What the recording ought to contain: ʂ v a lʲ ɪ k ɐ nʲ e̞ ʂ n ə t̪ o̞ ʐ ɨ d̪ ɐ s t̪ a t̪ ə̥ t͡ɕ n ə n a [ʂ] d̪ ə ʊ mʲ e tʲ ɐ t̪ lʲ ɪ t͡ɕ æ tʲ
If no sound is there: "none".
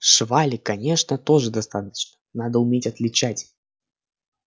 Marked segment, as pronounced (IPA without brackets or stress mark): none